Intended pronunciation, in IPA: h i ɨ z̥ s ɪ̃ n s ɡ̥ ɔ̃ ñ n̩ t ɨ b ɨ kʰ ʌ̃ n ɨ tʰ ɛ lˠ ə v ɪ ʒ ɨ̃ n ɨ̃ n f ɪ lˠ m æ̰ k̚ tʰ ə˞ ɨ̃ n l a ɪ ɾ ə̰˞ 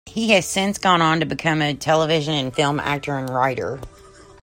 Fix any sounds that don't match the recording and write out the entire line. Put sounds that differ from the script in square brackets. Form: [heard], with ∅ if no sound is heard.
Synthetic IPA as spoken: h i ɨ z̥ s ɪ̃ n s ɡ̥ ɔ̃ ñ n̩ t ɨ b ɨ kʰ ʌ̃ [m] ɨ tʰ ɛ lˠ ə v ɪ ʒ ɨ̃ n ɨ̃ n f ɪ lˠ m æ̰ k̚ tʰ ə˞ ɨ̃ n [ɹ] a ɪ ɾ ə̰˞